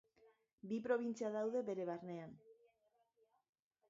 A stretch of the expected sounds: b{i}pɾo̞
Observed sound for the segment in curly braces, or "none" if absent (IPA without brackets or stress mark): i